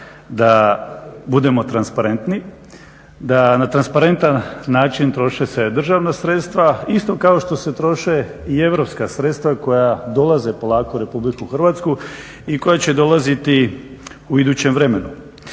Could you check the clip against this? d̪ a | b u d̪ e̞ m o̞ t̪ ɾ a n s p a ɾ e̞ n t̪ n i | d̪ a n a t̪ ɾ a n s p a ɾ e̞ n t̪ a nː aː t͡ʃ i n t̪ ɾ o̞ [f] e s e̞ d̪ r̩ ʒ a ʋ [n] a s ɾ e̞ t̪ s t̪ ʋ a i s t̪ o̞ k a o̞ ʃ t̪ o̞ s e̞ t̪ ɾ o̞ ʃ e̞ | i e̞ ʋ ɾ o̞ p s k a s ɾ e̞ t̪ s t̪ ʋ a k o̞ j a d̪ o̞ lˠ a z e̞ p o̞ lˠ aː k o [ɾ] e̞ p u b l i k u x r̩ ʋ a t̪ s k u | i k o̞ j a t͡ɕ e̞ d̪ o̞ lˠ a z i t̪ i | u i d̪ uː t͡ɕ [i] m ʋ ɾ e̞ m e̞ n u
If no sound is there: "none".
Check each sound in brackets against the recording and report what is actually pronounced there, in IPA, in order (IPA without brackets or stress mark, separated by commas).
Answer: ʃ, n, ɾ, e